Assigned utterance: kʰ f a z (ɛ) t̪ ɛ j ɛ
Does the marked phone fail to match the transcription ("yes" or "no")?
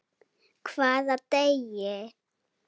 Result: yes